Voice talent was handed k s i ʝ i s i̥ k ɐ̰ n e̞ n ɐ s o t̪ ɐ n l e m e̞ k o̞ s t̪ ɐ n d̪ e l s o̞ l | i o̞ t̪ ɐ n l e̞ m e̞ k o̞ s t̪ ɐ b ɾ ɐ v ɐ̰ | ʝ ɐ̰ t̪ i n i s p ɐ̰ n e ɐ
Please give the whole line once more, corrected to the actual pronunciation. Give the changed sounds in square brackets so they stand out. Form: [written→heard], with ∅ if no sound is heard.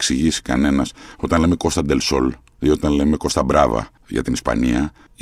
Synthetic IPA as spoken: k s i ʝ i s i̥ k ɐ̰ n e̞ n ɐ s o t̪ ɐ n l e m e̞ k o̞ s t̪ ɐ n d̪ e l s o̞ l | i o̞ t̪ ɐ n l e̞ m e̞ k o̞ s t̪ ɐ b ɾ ɐ v ɐ̰ | ʝ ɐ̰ t̪ i n i s p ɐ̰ n [e→i] ɐ